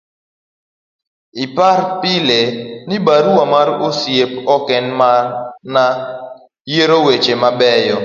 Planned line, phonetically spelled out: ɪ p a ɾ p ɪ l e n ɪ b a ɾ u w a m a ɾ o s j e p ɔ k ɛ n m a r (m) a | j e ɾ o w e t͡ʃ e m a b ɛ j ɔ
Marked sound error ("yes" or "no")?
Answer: yes